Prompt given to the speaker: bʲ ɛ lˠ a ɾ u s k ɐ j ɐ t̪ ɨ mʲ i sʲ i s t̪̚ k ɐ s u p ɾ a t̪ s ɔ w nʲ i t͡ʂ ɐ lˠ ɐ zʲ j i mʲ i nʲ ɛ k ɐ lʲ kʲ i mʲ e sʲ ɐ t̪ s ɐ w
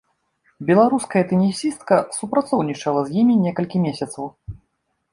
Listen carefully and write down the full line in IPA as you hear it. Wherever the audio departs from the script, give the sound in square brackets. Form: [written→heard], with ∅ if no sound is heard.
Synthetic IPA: bʲ ɛ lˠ a ɾ u s k ɐ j ɐ t̪ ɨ [mʲ→nʲ] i sʲ i s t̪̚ k ɐ s u p ɾ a t̪ s ɔ w nʲ i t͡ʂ ɐ lˠ ɐ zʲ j i mʲ i nʲ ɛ k ɐ lʲ kʲ i mʲ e sʲ ɐ t̪ s ɐ w